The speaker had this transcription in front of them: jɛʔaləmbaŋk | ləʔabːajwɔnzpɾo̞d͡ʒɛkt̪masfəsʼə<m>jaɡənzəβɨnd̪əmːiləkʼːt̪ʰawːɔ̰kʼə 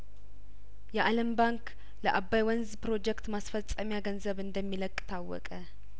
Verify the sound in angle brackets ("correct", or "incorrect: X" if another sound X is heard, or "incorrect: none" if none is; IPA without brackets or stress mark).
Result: correct